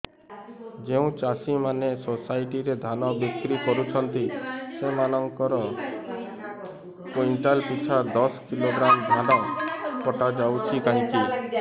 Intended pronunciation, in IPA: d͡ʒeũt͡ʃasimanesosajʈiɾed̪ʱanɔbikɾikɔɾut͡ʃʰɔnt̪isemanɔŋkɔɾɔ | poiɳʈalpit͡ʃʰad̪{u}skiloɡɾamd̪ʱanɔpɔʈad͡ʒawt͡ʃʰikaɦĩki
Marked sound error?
yes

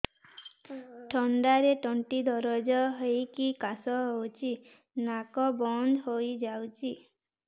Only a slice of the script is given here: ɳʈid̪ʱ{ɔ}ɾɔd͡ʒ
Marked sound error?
no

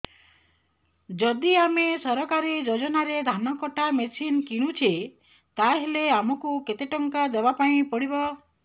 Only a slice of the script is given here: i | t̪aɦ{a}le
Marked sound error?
yes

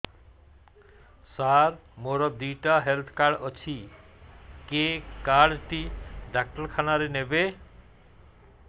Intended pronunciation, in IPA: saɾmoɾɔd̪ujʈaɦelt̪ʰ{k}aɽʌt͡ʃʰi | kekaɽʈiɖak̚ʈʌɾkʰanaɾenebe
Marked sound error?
no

